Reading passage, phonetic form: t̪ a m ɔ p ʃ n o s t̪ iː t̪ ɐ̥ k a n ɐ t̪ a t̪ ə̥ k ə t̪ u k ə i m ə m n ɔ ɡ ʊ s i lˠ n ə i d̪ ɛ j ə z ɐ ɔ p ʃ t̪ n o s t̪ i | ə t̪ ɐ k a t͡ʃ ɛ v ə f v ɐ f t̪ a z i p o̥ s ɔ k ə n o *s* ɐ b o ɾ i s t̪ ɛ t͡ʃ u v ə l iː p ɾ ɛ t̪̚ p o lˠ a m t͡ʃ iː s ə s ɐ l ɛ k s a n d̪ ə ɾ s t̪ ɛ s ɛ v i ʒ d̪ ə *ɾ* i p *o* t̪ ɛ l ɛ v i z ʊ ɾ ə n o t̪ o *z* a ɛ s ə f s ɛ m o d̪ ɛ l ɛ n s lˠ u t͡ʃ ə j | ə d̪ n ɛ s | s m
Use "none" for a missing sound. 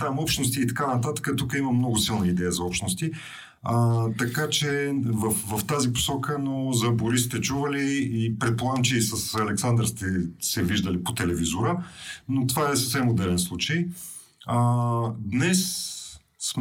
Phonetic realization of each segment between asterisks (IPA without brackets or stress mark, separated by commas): z, l, o, v